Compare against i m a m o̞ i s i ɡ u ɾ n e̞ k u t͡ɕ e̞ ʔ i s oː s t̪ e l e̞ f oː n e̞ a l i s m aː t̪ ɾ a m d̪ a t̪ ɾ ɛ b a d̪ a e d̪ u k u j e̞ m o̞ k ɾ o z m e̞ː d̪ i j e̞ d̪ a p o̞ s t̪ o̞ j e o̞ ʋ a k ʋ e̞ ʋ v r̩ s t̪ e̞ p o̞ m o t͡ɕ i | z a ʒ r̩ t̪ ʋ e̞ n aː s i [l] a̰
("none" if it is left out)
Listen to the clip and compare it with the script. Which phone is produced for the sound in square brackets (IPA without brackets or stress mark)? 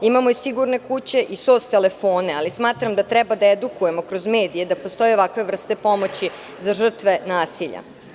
ʎ